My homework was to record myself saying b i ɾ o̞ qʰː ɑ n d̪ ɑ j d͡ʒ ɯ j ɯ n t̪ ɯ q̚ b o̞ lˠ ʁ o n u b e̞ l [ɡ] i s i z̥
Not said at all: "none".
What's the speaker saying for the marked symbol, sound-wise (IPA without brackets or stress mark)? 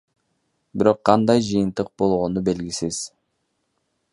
ɡ